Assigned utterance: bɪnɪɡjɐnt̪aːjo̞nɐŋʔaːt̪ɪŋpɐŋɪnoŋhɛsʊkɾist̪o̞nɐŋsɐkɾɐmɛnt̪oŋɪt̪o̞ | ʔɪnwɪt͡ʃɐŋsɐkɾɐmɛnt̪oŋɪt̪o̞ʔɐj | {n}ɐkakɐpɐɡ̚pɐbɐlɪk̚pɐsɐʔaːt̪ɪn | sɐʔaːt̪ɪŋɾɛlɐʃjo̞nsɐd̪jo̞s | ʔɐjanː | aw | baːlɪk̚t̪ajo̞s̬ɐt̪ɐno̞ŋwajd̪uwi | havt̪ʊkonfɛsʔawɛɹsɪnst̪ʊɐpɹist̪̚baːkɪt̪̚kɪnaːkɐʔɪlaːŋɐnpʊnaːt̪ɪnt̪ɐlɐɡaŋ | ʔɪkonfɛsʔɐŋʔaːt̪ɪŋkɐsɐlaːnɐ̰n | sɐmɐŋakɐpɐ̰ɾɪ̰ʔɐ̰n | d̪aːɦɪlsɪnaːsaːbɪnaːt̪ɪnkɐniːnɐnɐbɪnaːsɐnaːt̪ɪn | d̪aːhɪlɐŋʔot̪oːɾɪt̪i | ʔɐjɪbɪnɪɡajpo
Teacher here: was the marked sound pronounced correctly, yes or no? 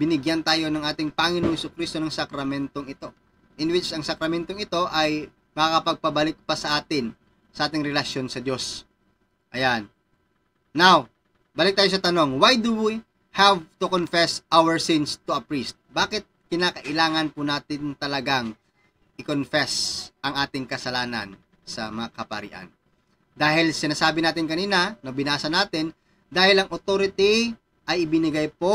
no